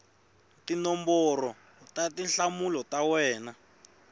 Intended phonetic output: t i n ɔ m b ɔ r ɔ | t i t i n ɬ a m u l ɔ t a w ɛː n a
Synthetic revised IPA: t i n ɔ m b ɔ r ɔ | t a t i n ɬ a m u l ɔ t a w ɛː n a

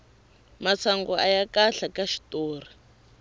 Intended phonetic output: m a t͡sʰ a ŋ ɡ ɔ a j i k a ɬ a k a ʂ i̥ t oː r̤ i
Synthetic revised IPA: m a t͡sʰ a ŋ ɡ ɔ a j a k a ɬ a k a ʃ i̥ t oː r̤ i

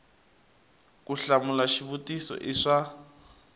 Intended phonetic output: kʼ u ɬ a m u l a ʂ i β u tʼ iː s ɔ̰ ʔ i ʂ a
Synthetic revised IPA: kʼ u ɬ a m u l a ʃ i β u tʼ i s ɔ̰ ʔ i ʂ a

